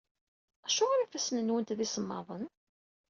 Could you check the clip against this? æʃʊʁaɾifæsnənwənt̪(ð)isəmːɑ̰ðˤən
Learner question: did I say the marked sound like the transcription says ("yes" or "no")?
yes